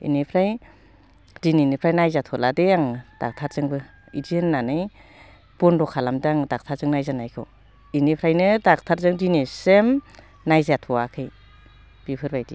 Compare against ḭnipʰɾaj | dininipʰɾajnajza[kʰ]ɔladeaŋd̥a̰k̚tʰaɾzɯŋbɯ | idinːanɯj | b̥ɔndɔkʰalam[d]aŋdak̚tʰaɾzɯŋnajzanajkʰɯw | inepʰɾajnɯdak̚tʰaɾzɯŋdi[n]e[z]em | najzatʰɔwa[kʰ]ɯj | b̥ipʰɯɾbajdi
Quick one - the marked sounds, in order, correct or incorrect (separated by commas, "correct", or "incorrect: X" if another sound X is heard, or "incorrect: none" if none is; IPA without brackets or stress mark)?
incorrect: tʰ, correct, correct, incorrect: s, correct